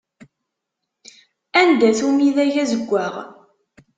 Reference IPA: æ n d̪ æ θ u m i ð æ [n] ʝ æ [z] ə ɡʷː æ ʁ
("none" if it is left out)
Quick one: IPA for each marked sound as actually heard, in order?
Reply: none, z

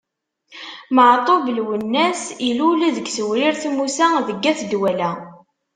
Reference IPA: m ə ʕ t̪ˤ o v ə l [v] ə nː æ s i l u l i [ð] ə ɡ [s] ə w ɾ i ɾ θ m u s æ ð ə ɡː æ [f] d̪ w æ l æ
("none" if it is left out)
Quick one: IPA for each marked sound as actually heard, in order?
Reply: w, ð, s, θ

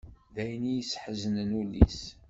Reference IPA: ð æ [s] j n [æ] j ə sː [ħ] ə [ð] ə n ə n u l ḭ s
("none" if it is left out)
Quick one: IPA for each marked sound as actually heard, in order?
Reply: none, i, ħ, z

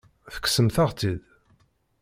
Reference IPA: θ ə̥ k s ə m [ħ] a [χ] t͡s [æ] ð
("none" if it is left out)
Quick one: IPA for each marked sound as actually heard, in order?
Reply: θ, ʁ, i

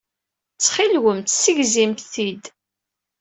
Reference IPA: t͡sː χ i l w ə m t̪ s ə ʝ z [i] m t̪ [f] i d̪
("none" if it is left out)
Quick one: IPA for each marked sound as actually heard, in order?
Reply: i, θ

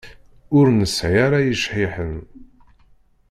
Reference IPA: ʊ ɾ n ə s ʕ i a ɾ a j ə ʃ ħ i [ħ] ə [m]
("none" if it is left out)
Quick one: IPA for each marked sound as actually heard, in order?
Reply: ħ, n

